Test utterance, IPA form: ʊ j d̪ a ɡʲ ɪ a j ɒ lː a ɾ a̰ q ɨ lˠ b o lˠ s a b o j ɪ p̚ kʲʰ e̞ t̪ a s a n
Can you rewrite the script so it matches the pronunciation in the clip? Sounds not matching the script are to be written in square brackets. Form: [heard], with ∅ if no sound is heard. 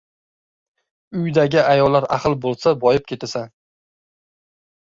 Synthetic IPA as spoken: ʊ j d̪ a ɡʲ ɪ a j ɒ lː a ɾ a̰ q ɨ lˠ b o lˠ s a b [ɒ] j ɪ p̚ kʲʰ e̞ t̪ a s a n